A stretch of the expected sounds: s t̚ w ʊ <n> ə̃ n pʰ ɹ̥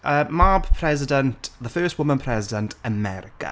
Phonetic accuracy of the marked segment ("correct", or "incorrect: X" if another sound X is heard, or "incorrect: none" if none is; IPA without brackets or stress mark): incorrect: m